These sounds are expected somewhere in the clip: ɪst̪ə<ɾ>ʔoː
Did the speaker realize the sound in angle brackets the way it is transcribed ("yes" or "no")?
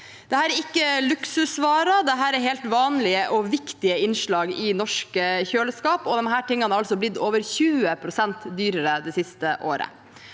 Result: no